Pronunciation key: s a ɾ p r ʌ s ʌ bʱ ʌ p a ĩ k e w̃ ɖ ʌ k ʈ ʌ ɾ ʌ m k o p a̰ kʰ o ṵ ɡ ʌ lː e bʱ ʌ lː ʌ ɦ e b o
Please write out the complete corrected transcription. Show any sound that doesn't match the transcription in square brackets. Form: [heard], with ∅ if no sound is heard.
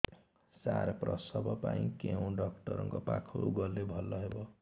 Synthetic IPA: s a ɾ p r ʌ s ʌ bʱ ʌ p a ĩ k e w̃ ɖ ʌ k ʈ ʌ ɾ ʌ [ŋ] k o p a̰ kʰ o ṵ ɡ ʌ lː e bʱ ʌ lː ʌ ɦ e b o